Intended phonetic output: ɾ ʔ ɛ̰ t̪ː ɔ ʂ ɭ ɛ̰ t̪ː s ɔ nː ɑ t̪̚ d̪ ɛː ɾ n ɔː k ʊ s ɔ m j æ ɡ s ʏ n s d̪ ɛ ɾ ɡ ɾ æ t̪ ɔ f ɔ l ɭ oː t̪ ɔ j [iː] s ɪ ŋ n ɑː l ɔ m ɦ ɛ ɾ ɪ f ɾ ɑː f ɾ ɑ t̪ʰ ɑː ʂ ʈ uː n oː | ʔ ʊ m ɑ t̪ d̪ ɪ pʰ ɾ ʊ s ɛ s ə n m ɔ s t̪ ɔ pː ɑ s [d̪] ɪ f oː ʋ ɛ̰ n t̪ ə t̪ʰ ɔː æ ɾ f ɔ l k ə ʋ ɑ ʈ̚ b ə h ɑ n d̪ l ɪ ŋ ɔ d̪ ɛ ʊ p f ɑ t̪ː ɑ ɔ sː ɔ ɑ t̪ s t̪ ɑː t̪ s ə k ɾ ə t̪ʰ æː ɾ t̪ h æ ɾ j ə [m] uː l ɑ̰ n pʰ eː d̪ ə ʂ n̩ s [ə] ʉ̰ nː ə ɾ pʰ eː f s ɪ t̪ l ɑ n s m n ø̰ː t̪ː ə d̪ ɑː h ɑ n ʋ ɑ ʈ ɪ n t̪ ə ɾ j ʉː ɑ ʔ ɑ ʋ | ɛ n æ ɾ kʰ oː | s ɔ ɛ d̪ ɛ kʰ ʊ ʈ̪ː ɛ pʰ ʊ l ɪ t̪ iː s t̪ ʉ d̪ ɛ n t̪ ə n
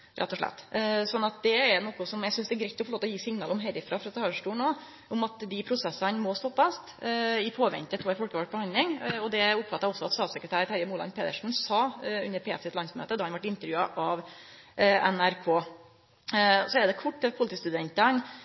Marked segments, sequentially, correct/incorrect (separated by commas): correct, incorrect, correct, incorrect